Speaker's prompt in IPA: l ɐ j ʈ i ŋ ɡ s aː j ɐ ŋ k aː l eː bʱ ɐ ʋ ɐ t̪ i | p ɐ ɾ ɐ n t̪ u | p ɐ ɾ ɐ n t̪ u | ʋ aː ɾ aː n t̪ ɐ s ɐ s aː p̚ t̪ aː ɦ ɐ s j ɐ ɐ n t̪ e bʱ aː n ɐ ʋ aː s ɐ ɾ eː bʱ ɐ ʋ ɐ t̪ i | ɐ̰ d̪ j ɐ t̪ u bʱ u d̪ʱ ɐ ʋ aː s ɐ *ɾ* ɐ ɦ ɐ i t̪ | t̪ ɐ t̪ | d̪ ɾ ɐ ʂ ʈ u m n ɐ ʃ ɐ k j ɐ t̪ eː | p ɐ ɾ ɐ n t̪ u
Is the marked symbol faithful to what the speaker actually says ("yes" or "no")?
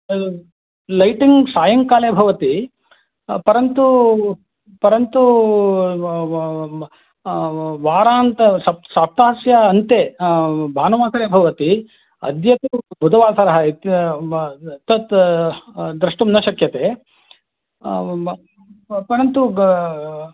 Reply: yes